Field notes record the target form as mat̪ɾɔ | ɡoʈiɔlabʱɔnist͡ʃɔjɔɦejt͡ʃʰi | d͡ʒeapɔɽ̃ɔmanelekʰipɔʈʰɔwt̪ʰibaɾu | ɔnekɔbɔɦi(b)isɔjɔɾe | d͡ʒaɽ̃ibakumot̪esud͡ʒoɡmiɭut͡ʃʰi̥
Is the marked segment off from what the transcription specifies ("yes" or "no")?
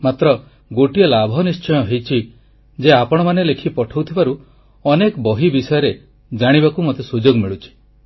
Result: no